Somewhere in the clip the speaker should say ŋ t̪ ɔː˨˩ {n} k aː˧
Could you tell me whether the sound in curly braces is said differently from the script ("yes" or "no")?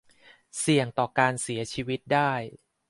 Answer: yes